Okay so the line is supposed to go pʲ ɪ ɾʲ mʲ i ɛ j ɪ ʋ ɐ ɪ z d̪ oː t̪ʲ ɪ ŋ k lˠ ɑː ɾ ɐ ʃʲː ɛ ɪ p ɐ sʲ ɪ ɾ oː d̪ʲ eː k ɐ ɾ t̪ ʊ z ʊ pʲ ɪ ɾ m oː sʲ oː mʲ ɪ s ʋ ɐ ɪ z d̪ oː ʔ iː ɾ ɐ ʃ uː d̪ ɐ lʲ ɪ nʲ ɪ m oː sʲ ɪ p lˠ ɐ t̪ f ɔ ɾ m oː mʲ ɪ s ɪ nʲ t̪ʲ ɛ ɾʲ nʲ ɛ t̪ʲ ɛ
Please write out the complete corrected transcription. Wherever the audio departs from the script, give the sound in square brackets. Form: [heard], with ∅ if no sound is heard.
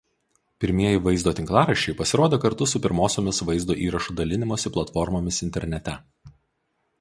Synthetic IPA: pʲ ɪ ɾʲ mʲ i ɛ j ɪ ʋ ɐ ɪ z d̪ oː t̪ʲ ɪ ŋ k lˠ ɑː ɾ ɐ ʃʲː ɛ ɪ p ɐ sʲ ɪ ɾ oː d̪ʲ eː k ɐ ɾ t̪ ʊ [s] ʊ pʲ ɪ ɾ m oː sʲ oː mʲ ɪ s ʋ ɐ ɪ z d̪ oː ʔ iː ɾ ɐ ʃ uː d̪ ɐ lʲ ɪ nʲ ɪ m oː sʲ ɪ p lˠ ɐ t̪ f ɔ ɾ m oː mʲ ɪ s ɪ nʲ t̪ʲ ɛ ɾʲ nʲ ɛ t̪ʲ ɛ